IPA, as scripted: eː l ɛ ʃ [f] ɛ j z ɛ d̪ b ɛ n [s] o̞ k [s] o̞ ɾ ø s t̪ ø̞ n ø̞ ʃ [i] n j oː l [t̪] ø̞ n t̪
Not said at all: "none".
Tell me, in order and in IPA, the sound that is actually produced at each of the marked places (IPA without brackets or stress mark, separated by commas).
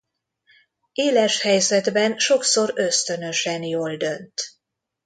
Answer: h, ʃ, s, ɛ, d̪